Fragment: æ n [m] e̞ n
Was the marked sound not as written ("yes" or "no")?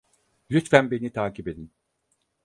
yes